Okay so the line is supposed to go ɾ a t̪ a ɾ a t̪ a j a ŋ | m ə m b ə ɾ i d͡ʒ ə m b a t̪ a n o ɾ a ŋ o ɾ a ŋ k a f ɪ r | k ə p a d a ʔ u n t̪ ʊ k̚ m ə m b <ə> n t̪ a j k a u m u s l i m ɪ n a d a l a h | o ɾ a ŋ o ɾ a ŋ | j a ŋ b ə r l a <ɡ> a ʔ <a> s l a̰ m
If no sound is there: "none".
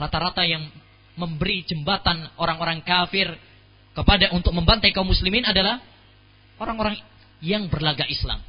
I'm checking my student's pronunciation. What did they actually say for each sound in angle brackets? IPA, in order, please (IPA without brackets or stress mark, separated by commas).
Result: a, ɡ, i